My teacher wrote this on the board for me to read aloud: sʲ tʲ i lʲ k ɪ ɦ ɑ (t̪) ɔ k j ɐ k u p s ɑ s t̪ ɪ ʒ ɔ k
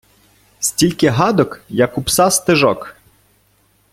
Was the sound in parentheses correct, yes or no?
no